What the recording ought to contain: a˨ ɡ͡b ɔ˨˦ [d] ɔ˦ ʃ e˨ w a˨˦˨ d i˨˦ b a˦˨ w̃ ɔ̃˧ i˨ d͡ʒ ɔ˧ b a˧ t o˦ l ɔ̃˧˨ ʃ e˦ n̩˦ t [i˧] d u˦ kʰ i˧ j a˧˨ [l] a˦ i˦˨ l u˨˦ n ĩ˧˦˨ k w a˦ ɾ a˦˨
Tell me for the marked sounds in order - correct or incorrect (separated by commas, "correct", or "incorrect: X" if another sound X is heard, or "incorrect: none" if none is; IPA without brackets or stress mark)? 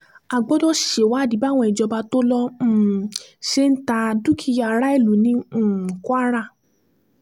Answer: correct, incorrect: a˧, incorrect: ɾ